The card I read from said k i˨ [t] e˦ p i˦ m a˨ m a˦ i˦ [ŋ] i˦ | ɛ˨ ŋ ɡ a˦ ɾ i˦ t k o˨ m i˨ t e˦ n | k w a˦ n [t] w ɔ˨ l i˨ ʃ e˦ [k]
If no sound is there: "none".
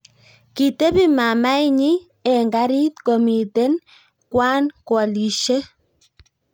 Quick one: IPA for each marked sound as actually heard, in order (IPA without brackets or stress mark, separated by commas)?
t, ɲ, k, none